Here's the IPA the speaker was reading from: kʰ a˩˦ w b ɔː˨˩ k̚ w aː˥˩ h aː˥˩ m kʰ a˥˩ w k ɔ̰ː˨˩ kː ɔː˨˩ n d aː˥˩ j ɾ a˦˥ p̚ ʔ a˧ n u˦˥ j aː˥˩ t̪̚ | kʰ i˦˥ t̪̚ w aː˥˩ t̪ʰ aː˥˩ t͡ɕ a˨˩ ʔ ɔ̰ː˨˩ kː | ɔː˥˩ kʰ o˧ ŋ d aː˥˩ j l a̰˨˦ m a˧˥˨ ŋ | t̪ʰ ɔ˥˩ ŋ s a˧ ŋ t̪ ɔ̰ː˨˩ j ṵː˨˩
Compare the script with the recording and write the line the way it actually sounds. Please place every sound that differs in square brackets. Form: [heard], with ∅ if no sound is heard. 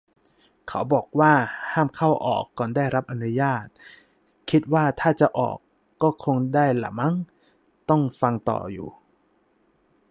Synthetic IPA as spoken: kʰ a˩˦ w b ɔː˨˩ k̚ w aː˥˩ h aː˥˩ m kʰ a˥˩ w [ʔ] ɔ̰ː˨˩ kː ɔː˨˩ n d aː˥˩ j ɾ a˦˥ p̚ ʔ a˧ n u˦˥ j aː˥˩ t̪̚ | kʰ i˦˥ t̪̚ w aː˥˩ t̪ʰ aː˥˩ t͡ɕ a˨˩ ʔ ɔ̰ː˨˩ kː | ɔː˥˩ kʰ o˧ ŋ d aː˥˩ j l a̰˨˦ m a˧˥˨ ŋ | [t̪] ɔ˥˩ ŋ [f] a˧ ŋ t̪ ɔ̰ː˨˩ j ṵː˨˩